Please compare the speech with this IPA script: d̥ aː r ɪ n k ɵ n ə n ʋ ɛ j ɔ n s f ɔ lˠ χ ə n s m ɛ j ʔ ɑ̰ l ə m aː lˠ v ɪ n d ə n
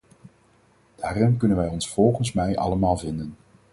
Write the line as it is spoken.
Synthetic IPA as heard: d̥ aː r ɪ n k ɵ n ə n ʋ ɛ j ɔ n s f ɔ lˠ χ ə n s m ɛ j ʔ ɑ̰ l ə m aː lˠ v ɪ n d ə n